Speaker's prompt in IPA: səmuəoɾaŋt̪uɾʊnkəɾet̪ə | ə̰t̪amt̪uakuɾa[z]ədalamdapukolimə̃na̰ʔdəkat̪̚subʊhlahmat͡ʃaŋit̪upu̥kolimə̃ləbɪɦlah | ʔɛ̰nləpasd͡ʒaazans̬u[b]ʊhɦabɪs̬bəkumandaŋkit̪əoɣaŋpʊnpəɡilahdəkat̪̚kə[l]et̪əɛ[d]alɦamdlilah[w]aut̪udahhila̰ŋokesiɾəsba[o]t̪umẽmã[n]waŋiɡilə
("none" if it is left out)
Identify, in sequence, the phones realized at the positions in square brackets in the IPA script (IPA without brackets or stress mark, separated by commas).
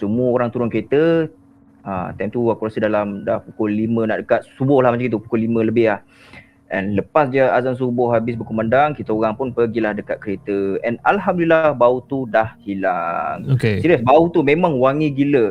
s, b, ɾ, n, b, u, ŋ